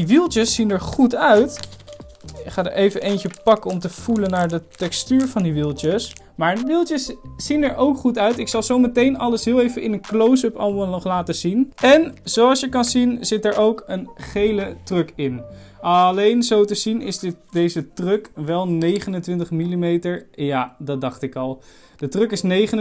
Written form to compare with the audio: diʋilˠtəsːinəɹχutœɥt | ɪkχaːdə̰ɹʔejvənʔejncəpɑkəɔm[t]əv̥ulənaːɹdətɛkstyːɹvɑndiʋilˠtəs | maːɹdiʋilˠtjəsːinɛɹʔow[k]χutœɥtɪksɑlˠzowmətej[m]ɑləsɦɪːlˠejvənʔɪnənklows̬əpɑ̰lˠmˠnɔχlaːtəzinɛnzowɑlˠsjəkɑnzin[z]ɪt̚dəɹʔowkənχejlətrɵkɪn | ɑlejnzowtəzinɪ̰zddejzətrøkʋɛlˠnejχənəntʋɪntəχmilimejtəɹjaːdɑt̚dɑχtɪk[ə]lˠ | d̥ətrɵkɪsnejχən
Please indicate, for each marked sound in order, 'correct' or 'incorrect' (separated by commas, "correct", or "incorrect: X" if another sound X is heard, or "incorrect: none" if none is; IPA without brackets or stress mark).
correct, correct, incorrect: n, correct, incorrect: ɑ